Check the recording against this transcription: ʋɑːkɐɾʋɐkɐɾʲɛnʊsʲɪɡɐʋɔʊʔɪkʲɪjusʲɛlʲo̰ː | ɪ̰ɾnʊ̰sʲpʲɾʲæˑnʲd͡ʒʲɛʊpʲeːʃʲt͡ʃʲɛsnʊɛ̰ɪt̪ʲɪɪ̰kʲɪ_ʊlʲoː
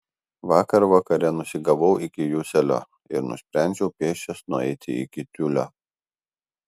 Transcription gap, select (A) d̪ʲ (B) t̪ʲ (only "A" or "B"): B